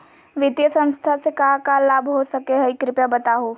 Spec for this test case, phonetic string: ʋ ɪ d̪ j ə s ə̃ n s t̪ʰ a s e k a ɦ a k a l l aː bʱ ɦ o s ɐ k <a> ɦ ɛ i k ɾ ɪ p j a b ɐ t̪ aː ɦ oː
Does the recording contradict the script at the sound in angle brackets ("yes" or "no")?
yes